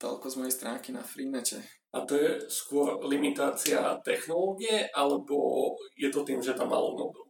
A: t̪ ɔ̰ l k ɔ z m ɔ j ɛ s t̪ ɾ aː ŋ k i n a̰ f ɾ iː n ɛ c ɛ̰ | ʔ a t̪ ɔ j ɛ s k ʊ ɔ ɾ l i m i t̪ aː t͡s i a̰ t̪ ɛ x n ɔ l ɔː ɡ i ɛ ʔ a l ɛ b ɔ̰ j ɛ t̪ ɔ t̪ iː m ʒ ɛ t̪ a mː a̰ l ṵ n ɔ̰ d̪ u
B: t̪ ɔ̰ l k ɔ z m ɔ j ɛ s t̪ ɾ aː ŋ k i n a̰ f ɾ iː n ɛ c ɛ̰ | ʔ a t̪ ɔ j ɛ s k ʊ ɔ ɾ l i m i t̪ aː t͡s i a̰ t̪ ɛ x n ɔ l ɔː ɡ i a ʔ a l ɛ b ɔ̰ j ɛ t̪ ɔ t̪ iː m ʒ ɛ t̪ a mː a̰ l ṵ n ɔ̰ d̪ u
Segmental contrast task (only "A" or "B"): A